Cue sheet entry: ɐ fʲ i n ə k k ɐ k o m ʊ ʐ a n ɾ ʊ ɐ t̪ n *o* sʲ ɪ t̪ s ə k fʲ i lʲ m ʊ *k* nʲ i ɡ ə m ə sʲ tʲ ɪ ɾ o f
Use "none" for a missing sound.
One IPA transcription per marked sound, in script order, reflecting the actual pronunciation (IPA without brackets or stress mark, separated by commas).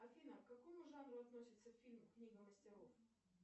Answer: o, k